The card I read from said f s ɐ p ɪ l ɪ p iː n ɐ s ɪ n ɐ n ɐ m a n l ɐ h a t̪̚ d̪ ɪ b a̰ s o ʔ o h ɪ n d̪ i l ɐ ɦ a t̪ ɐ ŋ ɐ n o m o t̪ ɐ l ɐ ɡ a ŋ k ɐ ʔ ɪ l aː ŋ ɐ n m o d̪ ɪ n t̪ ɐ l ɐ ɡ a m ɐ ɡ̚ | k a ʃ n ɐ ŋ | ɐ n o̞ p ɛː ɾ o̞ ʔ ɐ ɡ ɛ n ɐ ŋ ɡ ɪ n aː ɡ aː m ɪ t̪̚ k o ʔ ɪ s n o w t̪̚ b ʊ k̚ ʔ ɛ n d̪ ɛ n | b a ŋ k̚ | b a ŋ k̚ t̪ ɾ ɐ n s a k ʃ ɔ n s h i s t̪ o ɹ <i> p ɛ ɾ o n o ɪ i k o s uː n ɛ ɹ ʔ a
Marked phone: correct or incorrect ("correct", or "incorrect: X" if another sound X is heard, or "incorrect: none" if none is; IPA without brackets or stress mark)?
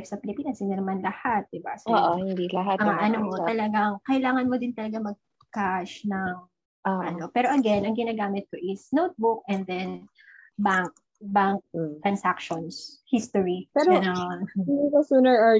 correct